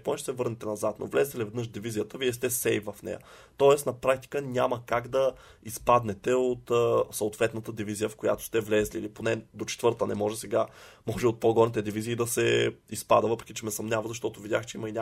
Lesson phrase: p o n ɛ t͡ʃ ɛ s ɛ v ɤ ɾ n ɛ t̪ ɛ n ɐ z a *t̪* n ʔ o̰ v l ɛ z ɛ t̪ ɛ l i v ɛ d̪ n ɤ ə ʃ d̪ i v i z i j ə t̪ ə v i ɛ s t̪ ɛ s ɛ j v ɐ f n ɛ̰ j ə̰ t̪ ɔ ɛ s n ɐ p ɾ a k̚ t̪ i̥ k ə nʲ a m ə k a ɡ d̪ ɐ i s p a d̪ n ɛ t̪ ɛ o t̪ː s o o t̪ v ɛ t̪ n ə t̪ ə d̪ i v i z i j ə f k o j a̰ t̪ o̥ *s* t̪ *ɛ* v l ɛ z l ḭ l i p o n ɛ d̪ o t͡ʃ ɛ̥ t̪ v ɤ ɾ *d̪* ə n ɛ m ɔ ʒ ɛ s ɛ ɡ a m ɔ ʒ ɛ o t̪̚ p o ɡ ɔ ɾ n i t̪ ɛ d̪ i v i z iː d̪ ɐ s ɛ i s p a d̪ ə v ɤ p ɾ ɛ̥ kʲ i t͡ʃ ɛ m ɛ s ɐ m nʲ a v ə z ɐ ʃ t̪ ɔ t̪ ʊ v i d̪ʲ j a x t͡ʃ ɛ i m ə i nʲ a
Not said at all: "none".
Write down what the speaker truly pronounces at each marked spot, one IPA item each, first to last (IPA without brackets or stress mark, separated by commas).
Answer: t̪, s, ɛ, t̪